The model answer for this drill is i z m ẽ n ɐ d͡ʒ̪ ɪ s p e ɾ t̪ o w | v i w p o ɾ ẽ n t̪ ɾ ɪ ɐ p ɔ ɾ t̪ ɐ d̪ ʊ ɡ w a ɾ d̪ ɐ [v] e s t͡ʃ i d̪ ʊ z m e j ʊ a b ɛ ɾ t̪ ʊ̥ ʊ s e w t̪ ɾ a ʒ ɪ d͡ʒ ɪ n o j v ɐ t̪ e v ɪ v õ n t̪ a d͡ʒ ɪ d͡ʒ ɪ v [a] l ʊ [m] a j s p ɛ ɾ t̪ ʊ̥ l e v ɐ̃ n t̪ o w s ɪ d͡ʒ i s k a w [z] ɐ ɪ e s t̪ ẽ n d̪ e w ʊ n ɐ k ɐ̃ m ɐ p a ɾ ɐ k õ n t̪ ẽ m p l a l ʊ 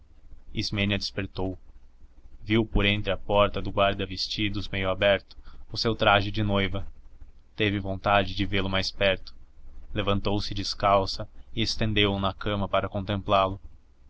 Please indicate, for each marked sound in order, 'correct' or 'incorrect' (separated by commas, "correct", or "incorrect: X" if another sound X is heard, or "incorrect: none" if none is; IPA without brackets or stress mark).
correct, incorrect: e, correct, incorrect: s